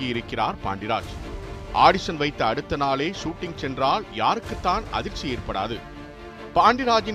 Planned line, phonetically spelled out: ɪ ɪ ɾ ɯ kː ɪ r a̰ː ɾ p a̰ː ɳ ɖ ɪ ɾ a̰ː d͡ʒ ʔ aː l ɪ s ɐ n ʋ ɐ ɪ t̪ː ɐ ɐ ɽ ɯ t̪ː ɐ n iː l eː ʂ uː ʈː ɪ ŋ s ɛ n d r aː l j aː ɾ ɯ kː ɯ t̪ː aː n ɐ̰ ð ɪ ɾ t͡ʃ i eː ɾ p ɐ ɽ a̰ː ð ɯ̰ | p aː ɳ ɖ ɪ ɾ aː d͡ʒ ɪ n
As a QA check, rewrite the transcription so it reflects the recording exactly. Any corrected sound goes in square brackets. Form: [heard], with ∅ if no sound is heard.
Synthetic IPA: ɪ ɪ ɾ ɯ kː ɪ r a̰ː ɾ p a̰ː ɳ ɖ ɪ ɾ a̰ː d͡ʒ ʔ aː [ɽ] ɪ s ɐ n ʋ ɐ ɪ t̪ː ɐ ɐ ɽ ɯ t̪ː ɐ n [aː] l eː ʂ uː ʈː ɪ ŋ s ɛ n d r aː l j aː ɾ ɯ kː ɯ t̪ː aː n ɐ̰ ð ɪ ɾ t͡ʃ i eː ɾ p ɐ ɽ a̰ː ð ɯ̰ | p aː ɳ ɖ ɪ ɾ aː d͡ʒ ɪ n